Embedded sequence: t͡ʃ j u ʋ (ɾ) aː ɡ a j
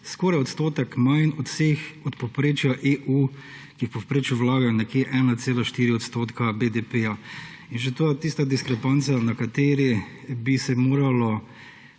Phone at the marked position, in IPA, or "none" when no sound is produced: l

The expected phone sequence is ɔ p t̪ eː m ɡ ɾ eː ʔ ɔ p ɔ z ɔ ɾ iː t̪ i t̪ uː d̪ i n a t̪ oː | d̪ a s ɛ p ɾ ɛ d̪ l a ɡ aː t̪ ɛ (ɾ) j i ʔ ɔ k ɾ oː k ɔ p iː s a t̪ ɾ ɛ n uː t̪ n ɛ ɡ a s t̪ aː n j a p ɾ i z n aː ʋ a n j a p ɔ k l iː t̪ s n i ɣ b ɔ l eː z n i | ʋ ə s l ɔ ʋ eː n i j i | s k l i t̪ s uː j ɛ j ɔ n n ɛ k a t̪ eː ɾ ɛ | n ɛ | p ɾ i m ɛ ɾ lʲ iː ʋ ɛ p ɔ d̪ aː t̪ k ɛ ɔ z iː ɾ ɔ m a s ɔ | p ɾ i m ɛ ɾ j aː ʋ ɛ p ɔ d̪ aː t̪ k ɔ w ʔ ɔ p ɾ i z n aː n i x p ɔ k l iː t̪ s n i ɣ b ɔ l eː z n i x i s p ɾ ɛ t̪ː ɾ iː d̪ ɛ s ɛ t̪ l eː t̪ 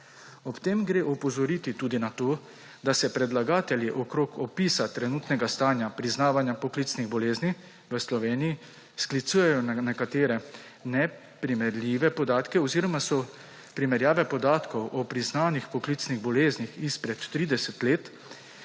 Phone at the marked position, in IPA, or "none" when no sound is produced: l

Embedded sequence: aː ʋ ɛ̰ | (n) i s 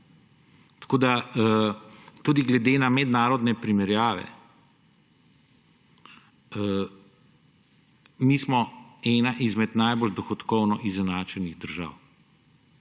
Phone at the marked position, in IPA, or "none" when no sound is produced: m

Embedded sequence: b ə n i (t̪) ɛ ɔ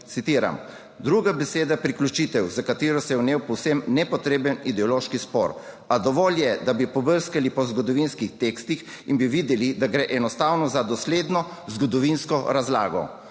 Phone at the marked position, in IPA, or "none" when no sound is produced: d̪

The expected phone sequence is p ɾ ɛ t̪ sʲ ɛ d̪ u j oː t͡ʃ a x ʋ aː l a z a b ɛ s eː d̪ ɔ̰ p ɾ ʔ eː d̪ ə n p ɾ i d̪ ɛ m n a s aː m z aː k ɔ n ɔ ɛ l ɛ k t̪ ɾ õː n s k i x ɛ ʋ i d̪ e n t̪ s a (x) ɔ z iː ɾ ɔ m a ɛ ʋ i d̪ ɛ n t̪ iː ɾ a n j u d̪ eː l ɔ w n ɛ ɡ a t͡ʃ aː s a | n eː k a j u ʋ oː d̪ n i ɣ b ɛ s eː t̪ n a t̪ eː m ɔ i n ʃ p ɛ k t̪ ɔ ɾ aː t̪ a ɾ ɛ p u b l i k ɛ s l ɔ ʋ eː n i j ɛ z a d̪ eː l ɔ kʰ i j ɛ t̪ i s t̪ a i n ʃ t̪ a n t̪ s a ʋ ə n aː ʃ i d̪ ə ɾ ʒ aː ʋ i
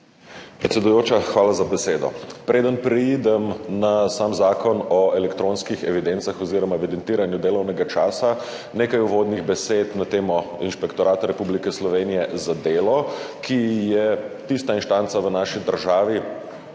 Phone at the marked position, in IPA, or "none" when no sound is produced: x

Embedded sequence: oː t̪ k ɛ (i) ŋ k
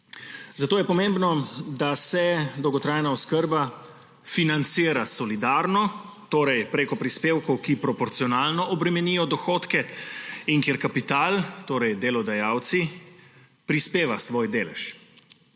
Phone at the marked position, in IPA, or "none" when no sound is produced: i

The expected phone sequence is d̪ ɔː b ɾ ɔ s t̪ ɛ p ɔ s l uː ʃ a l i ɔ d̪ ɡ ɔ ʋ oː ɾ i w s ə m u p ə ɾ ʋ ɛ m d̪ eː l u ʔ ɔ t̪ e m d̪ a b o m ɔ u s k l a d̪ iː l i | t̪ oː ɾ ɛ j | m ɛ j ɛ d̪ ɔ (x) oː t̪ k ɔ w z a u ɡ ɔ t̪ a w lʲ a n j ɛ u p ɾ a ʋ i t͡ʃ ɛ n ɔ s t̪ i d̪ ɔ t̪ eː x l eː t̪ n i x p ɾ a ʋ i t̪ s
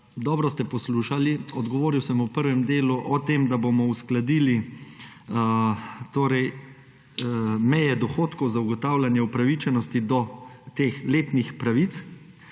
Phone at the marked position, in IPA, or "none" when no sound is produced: x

